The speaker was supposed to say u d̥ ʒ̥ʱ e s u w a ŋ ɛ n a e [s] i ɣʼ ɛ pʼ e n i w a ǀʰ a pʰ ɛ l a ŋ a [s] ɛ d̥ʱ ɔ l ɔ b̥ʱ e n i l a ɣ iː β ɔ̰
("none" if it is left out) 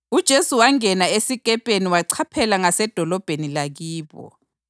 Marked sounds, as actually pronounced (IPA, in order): s, s

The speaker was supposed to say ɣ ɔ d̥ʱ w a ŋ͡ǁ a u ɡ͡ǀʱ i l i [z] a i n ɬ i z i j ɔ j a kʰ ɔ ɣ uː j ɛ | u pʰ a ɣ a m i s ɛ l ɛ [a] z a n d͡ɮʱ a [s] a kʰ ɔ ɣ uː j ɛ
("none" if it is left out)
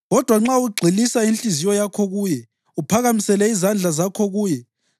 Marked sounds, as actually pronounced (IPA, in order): s, i, z

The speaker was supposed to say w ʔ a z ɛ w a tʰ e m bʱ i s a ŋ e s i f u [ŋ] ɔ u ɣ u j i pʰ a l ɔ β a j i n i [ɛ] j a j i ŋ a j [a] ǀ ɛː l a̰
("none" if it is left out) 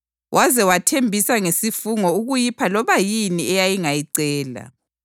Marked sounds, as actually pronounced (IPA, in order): ŋ, ɛ, i

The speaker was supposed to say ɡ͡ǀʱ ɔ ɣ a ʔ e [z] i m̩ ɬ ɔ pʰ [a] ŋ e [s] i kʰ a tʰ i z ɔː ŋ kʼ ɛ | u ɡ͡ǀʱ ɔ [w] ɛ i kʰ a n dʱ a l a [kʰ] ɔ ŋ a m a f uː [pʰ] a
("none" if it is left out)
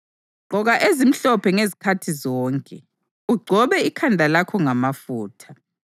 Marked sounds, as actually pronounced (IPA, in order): z, ɛ, z, β, kʰ, tʰ

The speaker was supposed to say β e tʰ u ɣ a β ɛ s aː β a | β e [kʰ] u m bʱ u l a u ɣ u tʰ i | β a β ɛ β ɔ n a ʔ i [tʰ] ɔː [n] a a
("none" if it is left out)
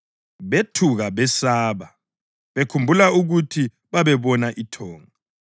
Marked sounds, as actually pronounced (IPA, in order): kʰ, tʰ, ŋ

